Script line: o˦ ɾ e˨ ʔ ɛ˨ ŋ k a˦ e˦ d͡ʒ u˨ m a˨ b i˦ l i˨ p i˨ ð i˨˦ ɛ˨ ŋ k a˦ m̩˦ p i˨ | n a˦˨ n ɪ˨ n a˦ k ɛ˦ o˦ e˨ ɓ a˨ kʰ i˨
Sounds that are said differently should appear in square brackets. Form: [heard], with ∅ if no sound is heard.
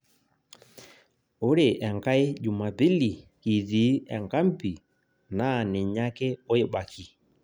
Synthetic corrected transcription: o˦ ɾ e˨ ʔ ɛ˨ ŋ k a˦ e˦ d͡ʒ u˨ m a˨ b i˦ l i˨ [k] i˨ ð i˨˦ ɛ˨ ŋ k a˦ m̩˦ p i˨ | n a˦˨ n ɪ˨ [ɲ] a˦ k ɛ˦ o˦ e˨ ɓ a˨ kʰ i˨